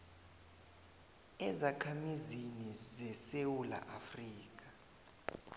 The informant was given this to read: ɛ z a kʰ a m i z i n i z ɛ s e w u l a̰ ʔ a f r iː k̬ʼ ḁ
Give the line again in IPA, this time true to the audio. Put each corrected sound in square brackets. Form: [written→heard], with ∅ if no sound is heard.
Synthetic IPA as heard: ɛ z a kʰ a m i z i n i z ɛ s e w u l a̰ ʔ a f r iː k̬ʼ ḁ